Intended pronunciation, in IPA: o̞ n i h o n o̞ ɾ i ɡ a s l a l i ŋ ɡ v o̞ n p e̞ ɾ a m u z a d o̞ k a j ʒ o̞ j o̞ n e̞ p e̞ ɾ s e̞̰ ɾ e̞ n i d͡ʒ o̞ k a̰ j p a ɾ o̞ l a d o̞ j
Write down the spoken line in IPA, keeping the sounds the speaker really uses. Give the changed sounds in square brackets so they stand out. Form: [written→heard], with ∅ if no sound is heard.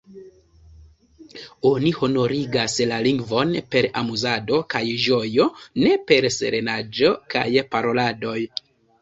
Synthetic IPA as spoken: o̞ n i h o n o̞ ɾ i ɡ a s l a l i ŋ ɡ v o̞ n p e̞ ɾ a m u z a d o̞ k a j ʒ o̞ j o̞ n e̞ p e̞ ɾ s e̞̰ ɾ e̞ n [i→a] d͡ʒ o̞ k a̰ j p a ɾ o̞ l a d o̞ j